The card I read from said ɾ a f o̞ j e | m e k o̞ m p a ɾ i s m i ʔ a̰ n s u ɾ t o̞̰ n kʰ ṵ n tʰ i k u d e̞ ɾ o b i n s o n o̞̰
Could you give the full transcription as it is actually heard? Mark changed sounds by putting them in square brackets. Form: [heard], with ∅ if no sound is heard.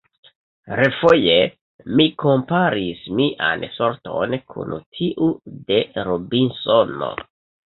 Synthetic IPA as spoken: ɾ [e] f o̞ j e | m [i] k o̞ m p a ɾ i s m i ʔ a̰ n s [o] ɾ t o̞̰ n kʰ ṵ n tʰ i [ʔ] u d e̞ ɾ o b i n s o n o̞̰